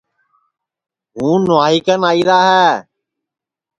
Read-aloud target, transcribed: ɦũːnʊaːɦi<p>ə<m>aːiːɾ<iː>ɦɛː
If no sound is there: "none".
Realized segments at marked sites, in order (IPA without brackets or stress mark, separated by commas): k, n, aː